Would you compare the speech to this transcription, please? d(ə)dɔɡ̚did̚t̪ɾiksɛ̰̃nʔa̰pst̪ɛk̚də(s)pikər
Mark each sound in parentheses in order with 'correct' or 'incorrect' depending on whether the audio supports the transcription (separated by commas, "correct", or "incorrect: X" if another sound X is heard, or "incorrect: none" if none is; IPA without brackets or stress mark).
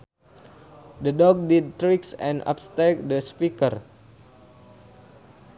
correct, correct